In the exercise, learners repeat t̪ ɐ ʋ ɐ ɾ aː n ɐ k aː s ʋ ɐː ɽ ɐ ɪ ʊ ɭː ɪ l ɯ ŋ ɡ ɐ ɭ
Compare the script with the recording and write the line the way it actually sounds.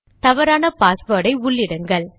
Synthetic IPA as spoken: t̪ ɐ ʋ ɐ ɾ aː n ɐ p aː s ʋ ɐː ɽ ɐ ɪ ʊ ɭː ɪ ɽ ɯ ŋ ɡ ɐ ɭ